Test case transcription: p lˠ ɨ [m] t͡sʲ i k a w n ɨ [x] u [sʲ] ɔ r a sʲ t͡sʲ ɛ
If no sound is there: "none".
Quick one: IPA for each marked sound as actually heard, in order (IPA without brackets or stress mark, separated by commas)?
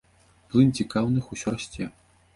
n, x, sʲ